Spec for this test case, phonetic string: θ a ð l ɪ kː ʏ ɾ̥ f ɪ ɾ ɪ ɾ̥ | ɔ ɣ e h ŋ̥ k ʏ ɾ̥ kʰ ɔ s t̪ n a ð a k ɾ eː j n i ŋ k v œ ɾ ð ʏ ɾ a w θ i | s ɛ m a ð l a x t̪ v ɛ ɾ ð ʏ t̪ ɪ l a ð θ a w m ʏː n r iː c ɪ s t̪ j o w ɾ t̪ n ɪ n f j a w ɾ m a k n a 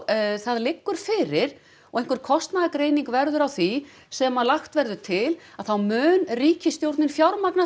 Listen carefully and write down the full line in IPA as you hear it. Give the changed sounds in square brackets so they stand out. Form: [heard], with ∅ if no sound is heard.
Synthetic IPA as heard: θ a ð l ɪ kː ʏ ɾ̥ f ɪ ɾ ɪ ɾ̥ | ɔ ɣ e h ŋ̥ k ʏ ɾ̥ kʰ ɔ s t̪ n a ð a k ɾ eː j n i ŋ k v [ɛ] ɾ ð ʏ ɾ a w θ i | s ɛ m a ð l a x t̪ v ɛ ɾ ð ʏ [t̪ʰ] ɪ l a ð θ a w m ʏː n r iː c ɪ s t̪ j o w ɾ t̪ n ɪ n f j a w ɾ m a k n a

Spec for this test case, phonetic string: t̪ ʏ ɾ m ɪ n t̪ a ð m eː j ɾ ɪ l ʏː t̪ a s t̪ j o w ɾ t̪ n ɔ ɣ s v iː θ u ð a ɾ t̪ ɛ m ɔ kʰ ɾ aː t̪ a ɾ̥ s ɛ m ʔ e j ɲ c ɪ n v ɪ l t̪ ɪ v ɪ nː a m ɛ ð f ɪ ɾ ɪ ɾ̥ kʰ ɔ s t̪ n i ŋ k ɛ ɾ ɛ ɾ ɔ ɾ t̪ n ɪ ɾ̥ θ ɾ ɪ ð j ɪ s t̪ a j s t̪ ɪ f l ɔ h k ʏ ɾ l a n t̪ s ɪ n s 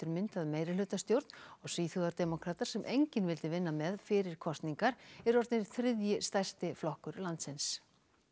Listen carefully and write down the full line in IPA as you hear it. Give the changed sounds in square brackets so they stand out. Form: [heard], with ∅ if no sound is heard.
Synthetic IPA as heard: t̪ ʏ ɾ m ɪ n t̪ a ð m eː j ɾ ɪ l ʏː t̪ a s t̪ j o w ɾ t̪ n ɔ ɣ s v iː θ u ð a ɾ t̪ ɛ m ɔ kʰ ɾ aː t̪ a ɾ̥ s ɛ m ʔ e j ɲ c ɪ n v ɪ l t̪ ɪ v ɪ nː a m ɛ ð f ɪ ɾ ɪ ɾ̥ kʰ ɔ s t̪ n i ŋ k [a] ɾ ɛ ɾ ɔ ɾ t̪ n ɪ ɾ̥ θ ɾ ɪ ð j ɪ s t̪ a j s t̪ ɪ f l ɔ h k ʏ ɾ l a n t̪ s ɪ n s

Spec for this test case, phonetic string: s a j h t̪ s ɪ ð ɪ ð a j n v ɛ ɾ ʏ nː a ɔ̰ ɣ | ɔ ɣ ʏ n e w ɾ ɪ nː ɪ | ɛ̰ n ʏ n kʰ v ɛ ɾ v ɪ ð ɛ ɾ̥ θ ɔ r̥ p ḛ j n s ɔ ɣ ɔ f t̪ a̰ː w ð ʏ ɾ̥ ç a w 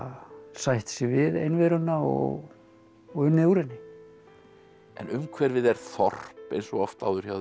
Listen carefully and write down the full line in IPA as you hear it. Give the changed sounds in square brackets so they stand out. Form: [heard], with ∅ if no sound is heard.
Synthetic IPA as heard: s a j h t̪ s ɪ [v] ɪ ð [e] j n v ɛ ɾ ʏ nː a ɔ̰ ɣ | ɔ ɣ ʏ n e w ɾ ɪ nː ɪ | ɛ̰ n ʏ [m] kʰ v ɛ ɾ v ɪ ð ɛ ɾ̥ θ ɔ r̥ p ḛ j n s ɔ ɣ ɔ f t̪ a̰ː w ð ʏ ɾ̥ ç a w

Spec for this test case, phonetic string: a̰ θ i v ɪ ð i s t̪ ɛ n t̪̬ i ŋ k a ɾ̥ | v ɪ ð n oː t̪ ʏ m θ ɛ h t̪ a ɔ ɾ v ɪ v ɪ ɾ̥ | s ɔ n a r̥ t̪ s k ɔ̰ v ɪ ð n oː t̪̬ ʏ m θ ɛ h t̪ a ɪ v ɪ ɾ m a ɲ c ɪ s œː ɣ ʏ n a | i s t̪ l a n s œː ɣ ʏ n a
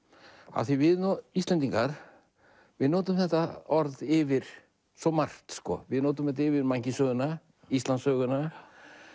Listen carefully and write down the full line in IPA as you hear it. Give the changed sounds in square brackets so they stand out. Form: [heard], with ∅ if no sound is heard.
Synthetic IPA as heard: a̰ θ i v ɪ ð i s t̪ ɛ n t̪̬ i ŋ k a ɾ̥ | v ɪ ð n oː t̪ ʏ m θ ɛ h t̪ a ɔ ɾ [ð] ɪ v ɪ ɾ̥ | s ɔ [m] a r̥ t̪ s k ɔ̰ v ɪ ð n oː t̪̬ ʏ m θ ɛ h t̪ a ɪ v ɪ ɾ m a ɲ c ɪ s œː ɣ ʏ n a | i s t̪ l a n s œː ɣ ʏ n a

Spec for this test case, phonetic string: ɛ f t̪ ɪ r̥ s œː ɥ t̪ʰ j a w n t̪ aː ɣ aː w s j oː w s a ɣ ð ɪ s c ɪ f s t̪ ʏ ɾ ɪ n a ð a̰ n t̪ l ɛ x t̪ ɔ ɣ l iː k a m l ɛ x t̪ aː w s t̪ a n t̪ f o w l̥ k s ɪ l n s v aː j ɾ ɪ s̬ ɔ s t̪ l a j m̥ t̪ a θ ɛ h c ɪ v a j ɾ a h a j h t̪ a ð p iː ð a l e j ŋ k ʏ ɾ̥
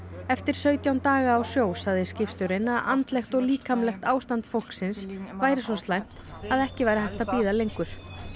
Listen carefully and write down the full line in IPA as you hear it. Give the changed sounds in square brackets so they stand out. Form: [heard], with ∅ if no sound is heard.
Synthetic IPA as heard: ɛ f t̪ ɪ [ɾ̥] s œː ɥ [t̪] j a w n t̪ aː ɣ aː w s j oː w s a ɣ ð ɪ s c ɪ f s t̪ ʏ ɾ ɪ n a ð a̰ n t̪ l ɛ x t̪ ɔ ɣ l iː k a m l ɛ x t̪ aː w s t̪ a n t̪ f o w l̥ k s ɪ [∅] n s v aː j ɾ ɪ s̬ ɔ s t̪ l a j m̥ t̪ a [ð] ɛ h c ɪ v a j ɾ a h a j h t̪ a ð p iː ð a l e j ŋ k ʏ ɾ̥

